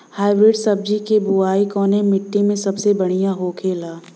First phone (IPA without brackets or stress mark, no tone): h